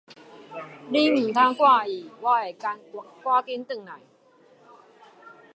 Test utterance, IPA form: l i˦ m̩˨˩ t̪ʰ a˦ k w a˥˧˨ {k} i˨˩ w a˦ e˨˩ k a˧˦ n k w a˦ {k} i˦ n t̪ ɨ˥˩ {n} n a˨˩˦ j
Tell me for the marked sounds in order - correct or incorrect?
incorrect: none, correct, incorrect: ŋ

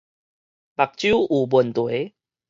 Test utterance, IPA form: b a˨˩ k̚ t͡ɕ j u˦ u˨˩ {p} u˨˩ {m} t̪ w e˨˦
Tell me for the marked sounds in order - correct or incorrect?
incorrect: b, incorrect: n

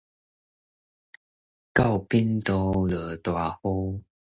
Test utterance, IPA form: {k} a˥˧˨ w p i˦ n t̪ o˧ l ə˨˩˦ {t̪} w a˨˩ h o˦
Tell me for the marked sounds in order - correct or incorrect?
correct, correct

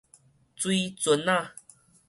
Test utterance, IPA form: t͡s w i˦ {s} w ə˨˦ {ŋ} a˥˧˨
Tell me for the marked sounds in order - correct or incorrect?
incorrect: t͡s, incorrect: n

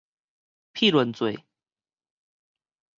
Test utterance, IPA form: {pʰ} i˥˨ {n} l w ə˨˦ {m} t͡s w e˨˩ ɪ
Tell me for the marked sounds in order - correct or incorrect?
correct, incorrect: none, incorrect: n

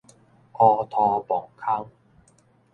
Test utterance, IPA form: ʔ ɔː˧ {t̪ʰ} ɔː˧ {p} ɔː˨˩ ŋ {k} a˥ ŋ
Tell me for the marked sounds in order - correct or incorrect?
correct, correct, incorrect: kʰ

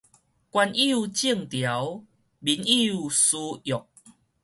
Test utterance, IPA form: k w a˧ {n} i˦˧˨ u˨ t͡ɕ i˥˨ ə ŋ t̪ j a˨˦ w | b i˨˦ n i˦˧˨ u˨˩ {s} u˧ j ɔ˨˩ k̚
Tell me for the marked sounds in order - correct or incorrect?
correct, correct

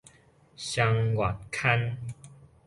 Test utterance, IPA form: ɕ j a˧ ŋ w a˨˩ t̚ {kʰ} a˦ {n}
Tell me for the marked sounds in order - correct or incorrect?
correct, correct

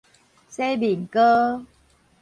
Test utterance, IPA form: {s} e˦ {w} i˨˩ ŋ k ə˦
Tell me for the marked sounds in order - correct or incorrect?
correct, incorrect: b

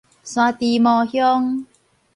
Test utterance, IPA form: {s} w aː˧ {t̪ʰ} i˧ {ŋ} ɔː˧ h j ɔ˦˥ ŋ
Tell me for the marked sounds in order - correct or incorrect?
correct, incorrect: t̪, incorrect: m

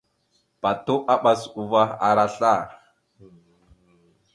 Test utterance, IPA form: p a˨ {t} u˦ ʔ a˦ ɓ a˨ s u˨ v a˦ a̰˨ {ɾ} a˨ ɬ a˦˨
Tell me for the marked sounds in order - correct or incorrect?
correct, correct

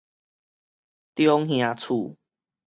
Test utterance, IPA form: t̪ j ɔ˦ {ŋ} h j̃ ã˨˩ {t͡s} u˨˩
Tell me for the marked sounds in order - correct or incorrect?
correct, incorrect: t͡sʰ

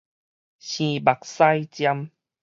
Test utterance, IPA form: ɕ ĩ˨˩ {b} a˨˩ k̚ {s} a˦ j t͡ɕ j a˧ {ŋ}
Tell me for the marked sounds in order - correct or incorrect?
correct, correct, incorrect: m

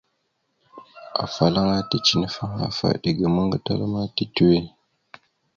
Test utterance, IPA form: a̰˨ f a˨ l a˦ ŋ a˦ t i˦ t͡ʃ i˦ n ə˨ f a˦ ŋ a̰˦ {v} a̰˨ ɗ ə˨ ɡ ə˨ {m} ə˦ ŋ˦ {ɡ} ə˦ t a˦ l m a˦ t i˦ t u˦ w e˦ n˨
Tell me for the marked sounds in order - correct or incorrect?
incorrect: f, correct, correct

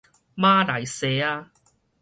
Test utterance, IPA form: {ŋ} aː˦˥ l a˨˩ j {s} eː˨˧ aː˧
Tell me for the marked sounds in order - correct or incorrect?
incorrect: m, correct

